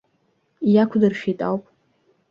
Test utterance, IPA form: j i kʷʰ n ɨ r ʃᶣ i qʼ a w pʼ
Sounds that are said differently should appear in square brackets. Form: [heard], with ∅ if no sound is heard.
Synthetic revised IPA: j [a] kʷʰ [d] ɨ r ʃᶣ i [tʼ] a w pʼ